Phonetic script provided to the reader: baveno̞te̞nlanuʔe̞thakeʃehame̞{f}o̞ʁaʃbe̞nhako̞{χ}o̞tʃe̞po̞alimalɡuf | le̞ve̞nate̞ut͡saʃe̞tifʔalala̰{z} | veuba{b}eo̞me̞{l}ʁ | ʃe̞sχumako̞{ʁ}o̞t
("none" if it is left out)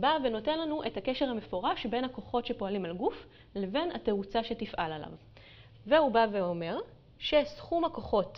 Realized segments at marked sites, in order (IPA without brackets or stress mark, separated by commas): f, χ, v, v, none, χ